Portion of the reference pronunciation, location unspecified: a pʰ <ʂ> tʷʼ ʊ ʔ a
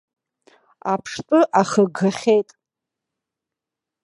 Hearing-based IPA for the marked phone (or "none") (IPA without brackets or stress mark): ʂ